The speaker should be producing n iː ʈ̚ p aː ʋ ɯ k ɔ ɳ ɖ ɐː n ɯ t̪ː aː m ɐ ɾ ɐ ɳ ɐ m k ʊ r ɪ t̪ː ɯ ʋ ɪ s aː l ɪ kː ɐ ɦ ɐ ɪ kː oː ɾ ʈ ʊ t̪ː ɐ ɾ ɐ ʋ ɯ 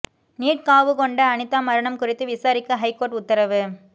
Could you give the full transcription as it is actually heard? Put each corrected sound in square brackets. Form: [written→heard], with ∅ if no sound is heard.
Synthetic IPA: n iː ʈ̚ [p→k] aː ʋ ɯ k ɔ ɳ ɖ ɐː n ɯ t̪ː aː m ɐ ɾ ɐ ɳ ɐ m k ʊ r ɪ t̪ː ɯ ʋ ɪ s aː [l→ɾ] ɪ kː ɐ ɦ ɐ ɪ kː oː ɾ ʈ ʊ t̪ː ɐ ɾ ɐ ʋ ɯ